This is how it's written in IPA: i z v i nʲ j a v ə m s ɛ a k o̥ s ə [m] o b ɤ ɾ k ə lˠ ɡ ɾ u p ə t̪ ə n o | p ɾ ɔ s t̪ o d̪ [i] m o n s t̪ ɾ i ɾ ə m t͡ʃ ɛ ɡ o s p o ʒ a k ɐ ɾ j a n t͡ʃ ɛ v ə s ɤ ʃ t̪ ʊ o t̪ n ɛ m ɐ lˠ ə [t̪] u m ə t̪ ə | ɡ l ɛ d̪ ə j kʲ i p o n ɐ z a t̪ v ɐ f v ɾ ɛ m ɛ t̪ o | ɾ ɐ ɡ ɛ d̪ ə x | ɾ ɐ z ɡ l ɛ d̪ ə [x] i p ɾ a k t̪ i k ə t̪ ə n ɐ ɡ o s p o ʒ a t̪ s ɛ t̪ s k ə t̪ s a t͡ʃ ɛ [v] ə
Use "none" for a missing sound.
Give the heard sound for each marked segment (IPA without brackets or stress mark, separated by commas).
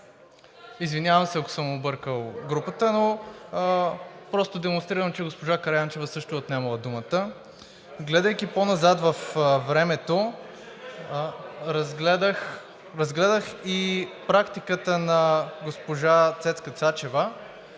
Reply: m, ɛ, d̪, x, v